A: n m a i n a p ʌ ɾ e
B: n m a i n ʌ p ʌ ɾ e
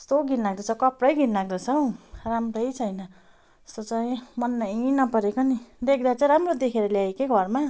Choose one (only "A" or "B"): B